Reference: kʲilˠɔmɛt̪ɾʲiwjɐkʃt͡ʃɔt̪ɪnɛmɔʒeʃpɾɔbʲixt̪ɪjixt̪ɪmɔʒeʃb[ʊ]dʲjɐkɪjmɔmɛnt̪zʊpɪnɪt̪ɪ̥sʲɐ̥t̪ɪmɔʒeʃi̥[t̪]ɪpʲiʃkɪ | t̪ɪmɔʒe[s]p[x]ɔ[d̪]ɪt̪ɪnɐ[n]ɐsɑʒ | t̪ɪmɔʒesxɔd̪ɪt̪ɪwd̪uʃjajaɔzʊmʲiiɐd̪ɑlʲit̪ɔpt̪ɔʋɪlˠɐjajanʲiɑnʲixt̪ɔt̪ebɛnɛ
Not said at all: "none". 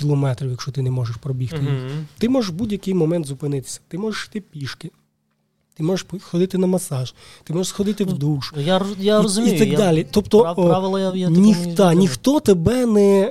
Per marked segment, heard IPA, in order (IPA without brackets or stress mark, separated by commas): u, t̪, ʃ, x, d̪, m